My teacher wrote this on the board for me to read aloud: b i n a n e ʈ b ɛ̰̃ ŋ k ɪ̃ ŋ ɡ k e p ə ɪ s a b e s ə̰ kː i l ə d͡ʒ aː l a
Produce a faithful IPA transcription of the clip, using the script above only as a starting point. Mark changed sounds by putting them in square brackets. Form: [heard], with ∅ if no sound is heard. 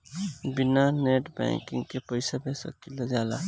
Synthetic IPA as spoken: b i n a n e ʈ b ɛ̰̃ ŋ k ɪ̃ ŋ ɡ k e p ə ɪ s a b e s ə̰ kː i l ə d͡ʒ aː l a